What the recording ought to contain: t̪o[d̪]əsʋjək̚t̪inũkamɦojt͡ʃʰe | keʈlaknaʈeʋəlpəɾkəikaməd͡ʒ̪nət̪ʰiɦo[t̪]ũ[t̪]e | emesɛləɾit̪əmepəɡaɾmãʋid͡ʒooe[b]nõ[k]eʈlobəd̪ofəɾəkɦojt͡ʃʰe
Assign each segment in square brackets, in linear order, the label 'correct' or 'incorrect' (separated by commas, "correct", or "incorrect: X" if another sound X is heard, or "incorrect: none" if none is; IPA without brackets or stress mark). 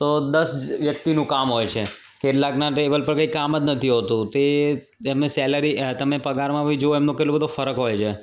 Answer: correct, correct, correct, incorrect: m, correct